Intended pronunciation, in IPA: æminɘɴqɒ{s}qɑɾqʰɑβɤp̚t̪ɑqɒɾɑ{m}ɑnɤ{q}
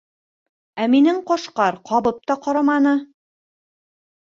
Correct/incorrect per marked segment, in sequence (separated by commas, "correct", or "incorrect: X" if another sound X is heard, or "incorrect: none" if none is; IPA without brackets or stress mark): incorrect: ʃ, correct, incorrect: none